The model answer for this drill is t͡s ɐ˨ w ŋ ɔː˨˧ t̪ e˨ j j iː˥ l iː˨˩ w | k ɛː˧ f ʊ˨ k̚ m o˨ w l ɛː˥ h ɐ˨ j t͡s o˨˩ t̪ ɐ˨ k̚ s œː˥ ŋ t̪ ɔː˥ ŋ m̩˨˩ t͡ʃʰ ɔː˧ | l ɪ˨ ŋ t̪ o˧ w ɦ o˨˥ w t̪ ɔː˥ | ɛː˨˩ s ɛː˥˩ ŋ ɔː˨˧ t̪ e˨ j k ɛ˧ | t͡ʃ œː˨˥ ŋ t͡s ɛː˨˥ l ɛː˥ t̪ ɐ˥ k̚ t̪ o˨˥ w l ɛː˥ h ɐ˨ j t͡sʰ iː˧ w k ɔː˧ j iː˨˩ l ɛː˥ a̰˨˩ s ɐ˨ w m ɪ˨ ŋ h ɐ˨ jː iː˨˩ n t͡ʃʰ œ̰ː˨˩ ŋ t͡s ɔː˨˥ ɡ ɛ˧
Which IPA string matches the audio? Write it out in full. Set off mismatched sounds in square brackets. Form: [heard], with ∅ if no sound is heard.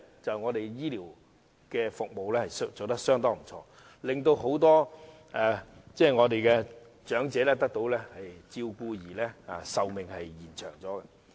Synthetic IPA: t͡s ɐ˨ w ŋ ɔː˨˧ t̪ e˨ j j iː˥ l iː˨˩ w | k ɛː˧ f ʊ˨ k̚ m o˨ w l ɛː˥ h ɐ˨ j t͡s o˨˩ t̪ [ɐ˥] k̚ s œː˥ ŋ t̪ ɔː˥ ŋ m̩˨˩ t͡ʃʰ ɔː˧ | l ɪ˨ ŋ t̪ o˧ w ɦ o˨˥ w t̪ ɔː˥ | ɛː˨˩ [t͡s] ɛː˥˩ ŋ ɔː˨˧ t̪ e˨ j k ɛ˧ | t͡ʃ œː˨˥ ŋ t͡s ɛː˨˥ l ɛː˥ t̪ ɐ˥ k̚ t̪ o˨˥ w l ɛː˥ h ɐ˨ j [t͡s] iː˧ w k [uː˧] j iː˨˩ l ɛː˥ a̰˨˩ s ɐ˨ w m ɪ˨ ŋ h ɐ˨ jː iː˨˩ n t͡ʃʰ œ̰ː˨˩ ŋ t͡s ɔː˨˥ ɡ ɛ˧